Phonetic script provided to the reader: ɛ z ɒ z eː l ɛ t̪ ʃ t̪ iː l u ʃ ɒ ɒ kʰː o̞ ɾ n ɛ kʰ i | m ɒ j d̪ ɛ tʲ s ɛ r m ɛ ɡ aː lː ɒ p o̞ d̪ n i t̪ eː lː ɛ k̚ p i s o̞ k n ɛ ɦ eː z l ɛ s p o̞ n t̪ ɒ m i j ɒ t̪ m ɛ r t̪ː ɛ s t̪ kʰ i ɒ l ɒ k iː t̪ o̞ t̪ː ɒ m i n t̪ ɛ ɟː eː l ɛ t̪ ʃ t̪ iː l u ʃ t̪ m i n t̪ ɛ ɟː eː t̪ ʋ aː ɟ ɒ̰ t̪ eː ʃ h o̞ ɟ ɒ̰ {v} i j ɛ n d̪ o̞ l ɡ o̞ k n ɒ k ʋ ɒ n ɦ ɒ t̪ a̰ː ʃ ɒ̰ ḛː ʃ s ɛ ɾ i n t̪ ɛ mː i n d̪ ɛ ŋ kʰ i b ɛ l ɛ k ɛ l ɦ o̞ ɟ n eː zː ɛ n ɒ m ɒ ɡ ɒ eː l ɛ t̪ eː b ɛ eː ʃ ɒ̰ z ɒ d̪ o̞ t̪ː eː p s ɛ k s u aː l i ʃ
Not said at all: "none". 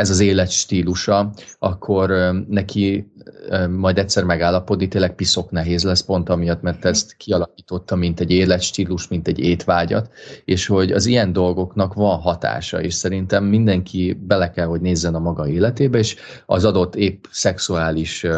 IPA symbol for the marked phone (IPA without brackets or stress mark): z